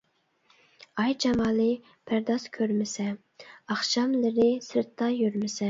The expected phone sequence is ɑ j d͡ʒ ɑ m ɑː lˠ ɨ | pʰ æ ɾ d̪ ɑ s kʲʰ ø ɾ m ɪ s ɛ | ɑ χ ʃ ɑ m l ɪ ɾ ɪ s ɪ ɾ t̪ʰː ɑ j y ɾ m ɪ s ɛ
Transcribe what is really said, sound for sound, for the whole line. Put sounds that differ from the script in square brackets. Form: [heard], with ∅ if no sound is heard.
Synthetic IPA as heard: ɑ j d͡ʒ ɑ m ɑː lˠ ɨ | pʰ æ ɾ d̪ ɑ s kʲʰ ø ɾ m ɪ s ɛ | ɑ χ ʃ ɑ m l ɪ ɾ ɪ s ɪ ɾ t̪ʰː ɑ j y ɾ m ɪ s ɛ